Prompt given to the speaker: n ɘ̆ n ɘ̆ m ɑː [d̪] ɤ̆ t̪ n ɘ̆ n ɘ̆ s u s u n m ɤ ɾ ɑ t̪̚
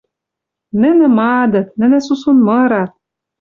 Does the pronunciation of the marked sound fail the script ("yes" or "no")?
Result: no